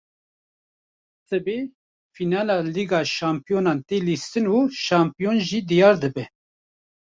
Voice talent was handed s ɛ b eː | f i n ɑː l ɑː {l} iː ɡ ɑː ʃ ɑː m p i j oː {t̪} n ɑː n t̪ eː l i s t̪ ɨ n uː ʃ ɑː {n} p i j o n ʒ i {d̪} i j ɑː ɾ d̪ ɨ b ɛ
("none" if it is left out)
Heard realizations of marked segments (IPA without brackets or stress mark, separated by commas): l, none, m, d̪